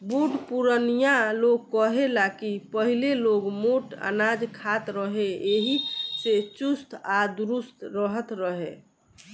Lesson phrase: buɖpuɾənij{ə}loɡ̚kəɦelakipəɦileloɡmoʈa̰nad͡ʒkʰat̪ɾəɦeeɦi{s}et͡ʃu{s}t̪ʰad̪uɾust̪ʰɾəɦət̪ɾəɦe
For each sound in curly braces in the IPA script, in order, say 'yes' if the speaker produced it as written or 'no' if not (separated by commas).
no, yes, yes